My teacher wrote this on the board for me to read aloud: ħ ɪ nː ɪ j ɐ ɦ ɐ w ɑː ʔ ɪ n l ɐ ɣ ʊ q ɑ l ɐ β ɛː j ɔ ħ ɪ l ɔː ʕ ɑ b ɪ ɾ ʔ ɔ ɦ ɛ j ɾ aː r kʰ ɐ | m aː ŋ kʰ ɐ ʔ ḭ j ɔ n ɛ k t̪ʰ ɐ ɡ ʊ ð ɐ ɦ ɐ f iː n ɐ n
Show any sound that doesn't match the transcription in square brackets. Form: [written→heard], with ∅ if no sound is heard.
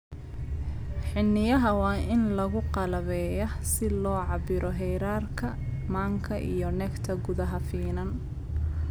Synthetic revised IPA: ħ ɪ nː ɪ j ɐ ɦ ɐ w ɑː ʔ ɪ n l ɐ ɣ ʊ q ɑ l ɐ β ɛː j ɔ [ħ→s] ɪ l ɔː ʕ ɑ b ɪ ɾ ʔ ɔ ɦ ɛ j ɾ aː r kʰ ɐ | m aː ŋ kʰ ɐ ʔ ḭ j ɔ n ɛ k t̪ʰ ɐ ɡ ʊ ð ɐ ɦ ɐ f iː n ɐ n